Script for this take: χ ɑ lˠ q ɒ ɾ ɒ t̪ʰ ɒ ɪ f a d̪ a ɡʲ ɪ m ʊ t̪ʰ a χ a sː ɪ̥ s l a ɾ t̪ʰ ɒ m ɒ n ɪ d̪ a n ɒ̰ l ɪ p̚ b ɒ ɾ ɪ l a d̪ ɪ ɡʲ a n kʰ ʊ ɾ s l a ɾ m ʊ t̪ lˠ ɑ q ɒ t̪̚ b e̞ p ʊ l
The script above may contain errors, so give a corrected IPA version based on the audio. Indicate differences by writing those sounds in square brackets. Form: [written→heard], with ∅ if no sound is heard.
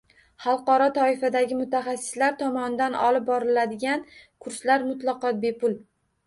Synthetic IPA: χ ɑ lˠ q ɒ ɾ ɒ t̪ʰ ɒ ɪ f a d̪ a ɡʲ ɪ m ʊ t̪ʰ a χ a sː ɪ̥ s l a ɾ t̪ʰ ɒ m ɒ n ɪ d̪ a n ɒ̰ l ɪ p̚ b ɒ ɾ ɪ l a d̪ ɪ ɡʲ a n kʰ ʊ ɾ s l a ɾ m ʊ t̪ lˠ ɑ q ɒ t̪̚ b e̞ p ʊ l